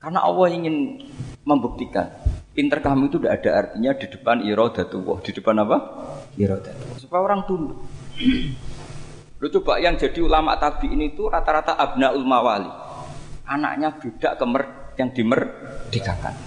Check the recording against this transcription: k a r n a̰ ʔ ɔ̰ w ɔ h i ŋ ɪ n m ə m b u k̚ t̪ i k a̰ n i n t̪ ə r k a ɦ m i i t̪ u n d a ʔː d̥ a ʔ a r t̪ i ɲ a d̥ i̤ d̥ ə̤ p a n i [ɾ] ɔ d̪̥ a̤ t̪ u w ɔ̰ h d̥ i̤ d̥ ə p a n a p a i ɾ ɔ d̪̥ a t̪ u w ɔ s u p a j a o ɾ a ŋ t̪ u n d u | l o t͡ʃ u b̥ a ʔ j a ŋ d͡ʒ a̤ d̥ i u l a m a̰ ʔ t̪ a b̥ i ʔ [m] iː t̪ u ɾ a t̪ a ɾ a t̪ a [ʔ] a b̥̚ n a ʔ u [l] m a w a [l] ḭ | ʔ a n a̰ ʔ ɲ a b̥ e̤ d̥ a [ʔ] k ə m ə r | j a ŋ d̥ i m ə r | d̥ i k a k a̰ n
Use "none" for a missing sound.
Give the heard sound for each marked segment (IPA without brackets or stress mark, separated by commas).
ɾ, n, ʔ, l, l, ʔ